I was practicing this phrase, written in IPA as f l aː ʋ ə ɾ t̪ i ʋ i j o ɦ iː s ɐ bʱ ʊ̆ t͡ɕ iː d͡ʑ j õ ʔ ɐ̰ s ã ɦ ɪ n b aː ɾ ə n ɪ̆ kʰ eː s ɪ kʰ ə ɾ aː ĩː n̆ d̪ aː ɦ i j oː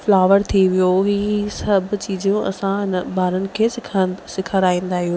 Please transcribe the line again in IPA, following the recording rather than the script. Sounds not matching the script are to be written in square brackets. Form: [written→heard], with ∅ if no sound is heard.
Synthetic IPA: f l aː ʋ ə ɾ [t̪→t̪ʰ] i ʋ i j o ɦ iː s ɐ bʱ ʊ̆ t͡ɕ iː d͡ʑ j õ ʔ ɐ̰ s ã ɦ ɪ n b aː ɾ ə n ɪ̆ kʰ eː s ɪ kʰ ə ɾ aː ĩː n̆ d̪ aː ɦ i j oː